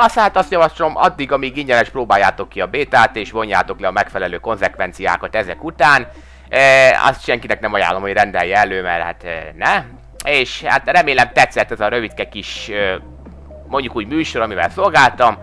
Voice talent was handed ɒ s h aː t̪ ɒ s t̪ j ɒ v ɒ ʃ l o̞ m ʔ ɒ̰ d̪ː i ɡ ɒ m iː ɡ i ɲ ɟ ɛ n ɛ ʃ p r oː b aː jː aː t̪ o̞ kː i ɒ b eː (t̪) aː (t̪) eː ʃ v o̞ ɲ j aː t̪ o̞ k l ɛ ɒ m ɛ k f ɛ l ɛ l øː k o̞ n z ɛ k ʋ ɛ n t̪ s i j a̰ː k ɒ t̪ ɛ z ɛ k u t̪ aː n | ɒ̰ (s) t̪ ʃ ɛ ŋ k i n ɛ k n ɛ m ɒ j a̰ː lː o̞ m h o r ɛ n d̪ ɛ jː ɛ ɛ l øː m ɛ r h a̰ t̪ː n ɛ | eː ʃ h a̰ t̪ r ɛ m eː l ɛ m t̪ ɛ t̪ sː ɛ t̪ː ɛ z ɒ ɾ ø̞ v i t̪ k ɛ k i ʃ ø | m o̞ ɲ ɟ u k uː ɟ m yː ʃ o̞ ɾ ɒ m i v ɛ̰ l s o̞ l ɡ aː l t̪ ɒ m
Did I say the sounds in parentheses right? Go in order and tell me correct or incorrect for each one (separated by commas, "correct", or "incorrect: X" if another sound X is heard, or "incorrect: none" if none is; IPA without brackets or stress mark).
correct, correct, correct